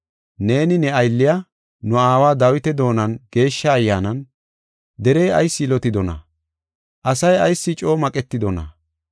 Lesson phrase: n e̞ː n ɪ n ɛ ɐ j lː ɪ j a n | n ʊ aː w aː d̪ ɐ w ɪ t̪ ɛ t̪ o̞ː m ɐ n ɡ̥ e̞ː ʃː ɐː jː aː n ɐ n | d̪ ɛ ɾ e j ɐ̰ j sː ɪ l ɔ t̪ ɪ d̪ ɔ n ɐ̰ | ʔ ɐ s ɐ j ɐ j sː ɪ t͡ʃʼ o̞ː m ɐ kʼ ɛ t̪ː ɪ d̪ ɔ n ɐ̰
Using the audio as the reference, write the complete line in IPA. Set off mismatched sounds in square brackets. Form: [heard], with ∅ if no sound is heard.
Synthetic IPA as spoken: n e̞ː n ɪ n ɛ ɐ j lː ɪ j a [∅] | n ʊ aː w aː d̪ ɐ w ɪ t̪ ɛ [d̪] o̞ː [n] ɐ n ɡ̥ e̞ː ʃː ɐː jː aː n ɐ n | d̪ ɛ ɾ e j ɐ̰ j sː ɪ l ɔ t̪ ɪ d̪ ɔ n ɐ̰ | ʔ ɐ s ɐ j ɐ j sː ɪ t͡ʃʼ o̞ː m ɐ kʼ ɛ t̪ː ɪ d̪ ɔ n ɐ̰